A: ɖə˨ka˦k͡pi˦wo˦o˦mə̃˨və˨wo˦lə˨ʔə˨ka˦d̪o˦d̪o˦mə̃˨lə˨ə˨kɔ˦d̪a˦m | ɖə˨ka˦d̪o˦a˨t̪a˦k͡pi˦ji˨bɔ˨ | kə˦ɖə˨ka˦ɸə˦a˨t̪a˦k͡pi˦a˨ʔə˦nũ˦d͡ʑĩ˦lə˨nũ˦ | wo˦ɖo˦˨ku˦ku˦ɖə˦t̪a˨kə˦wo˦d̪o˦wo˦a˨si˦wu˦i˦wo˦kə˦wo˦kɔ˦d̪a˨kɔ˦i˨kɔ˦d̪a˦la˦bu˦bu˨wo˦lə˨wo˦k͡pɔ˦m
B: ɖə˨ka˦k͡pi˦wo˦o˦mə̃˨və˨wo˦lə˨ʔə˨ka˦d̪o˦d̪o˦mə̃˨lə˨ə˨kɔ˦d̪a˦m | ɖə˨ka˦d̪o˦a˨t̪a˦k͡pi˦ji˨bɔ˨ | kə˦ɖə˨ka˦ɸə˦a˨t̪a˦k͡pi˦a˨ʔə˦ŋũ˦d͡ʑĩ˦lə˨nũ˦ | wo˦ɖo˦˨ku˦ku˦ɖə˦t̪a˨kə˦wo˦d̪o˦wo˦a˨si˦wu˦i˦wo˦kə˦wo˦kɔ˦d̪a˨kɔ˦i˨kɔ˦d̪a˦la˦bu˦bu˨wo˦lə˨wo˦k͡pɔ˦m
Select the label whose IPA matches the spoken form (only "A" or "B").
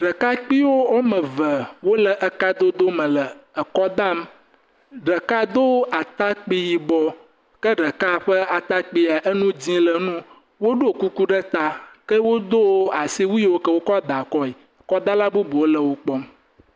A